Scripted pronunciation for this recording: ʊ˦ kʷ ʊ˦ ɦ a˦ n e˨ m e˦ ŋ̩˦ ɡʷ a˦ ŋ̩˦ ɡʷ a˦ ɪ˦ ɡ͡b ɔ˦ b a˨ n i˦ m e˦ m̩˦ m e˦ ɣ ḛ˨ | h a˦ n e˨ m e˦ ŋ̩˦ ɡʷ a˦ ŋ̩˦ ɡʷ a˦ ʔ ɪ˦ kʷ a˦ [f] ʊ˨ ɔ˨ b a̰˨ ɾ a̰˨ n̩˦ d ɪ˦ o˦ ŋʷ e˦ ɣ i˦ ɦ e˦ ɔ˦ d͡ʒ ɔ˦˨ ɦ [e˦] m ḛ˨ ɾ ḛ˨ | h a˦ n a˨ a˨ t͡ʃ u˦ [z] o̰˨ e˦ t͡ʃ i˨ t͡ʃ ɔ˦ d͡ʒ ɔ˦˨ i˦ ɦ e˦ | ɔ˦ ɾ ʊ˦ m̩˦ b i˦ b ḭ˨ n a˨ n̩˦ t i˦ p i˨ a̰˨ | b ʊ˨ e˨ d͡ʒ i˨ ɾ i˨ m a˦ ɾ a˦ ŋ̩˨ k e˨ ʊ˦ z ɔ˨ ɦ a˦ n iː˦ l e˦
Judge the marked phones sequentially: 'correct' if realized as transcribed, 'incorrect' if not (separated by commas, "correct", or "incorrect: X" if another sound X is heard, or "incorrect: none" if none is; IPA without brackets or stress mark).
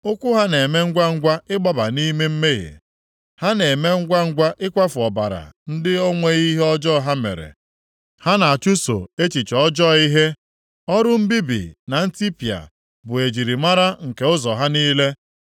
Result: correct, incorrect: a˦, incorrect: s